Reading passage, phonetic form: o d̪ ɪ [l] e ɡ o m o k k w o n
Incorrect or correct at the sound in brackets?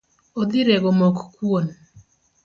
incorrect: ɾ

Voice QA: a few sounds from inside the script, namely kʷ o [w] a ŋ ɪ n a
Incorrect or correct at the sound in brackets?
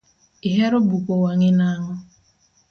correct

